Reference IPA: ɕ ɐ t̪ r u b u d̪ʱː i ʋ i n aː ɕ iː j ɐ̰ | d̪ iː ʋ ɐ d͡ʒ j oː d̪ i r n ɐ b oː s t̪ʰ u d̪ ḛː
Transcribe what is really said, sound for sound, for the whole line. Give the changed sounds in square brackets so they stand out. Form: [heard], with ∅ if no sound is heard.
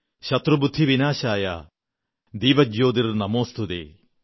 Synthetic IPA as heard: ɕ ɐ t̪ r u b u d̪ʱː i ʋ i n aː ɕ [aː] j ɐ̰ | d̪ iː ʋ ɐ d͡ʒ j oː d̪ i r n ɐ [m] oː s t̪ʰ u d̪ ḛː